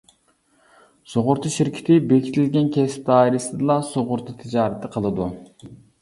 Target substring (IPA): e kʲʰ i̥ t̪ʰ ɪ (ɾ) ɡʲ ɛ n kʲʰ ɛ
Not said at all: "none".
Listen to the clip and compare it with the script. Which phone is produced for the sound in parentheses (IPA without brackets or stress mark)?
l